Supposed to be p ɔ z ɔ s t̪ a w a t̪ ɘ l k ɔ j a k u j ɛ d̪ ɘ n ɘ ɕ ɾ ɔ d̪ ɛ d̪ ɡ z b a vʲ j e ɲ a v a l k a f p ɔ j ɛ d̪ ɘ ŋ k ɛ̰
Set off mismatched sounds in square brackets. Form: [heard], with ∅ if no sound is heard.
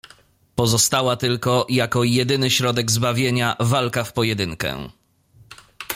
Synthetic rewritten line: p ɔ z ɔ s t̪ a w a t̪ ɘ l k ɔ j a k [ɔ] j ɛ d̪ ɘ n ɘ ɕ ɾ ɔ d̪ ɛ [∅] ɡ z b a vʲ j e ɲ a v a l k a f p ɔ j ɛ d̪ ɘ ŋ k ɛ̰